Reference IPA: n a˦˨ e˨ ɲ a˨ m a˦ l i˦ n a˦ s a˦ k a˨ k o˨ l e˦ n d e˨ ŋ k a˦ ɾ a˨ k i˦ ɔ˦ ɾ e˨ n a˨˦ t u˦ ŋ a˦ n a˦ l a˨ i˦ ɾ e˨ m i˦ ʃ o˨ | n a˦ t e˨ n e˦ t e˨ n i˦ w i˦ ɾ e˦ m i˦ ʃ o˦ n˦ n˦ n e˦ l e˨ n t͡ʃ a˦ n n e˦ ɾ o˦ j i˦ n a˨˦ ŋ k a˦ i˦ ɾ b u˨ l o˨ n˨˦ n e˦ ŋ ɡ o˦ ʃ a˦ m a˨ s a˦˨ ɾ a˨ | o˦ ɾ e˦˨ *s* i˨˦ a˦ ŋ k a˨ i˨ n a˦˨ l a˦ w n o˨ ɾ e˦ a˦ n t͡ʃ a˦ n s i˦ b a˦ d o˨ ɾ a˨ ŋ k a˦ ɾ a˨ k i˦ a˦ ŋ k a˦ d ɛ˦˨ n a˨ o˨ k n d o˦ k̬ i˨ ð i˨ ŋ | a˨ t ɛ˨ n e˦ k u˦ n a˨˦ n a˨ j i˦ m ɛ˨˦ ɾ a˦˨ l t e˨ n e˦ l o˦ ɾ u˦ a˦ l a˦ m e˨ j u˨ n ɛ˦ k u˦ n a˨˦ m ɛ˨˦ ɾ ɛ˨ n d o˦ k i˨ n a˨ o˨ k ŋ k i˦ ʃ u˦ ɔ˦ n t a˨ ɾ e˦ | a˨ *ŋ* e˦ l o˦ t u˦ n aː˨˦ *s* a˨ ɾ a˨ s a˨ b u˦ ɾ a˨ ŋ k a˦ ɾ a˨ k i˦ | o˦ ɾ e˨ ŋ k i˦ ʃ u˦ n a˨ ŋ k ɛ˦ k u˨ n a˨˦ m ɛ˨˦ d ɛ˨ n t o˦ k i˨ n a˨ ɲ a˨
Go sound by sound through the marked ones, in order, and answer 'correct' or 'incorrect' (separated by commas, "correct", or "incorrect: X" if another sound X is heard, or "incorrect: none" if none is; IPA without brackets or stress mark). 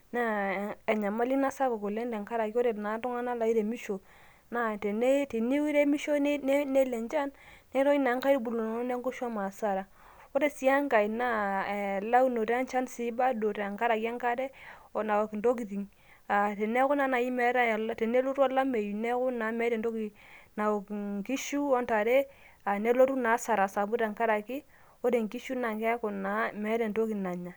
correct, incorrect: n, correct